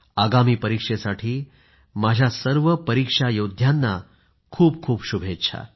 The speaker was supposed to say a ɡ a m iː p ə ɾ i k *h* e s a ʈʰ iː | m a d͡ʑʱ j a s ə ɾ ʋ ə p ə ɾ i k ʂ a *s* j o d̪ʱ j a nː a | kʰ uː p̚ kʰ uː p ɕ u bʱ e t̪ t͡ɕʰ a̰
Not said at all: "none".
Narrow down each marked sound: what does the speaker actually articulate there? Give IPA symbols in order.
ʂ, none

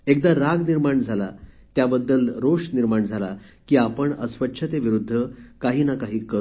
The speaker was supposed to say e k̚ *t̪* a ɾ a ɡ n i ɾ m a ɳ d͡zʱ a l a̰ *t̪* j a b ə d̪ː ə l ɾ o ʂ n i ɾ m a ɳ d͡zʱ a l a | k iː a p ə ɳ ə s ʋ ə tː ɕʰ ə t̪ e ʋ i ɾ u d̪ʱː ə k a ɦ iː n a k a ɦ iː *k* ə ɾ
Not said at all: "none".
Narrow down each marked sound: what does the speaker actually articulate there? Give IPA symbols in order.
d̪, t̪, k

